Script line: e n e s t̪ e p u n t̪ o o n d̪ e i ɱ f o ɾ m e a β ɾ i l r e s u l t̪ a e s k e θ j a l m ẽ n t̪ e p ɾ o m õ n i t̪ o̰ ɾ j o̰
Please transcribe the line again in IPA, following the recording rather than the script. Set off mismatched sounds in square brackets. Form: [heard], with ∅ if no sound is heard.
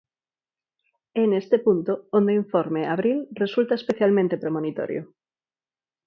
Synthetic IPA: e n e s t̪ e p u n t̪ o o n d̪ e i ɱ f o ɾ m e a β ɾ i l r e s u l t̪ a e s [p] e θ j a l m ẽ n t̪ e p ɾ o m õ n i t̪ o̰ ɾ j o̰